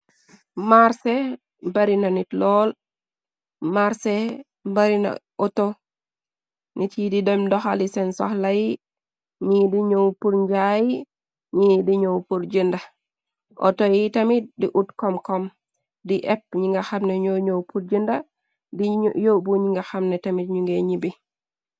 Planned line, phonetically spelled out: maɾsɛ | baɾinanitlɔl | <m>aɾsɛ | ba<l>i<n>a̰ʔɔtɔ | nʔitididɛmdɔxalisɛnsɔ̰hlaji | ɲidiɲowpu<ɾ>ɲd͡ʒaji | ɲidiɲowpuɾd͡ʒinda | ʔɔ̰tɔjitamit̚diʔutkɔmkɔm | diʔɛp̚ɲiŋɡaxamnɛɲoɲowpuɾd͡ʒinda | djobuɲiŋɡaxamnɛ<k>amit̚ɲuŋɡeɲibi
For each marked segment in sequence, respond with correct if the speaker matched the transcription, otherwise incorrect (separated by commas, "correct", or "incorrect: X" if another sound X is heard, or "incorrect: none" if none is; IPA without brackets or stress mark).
correct, incorrect: ɾ, correct, correct, incorrect: t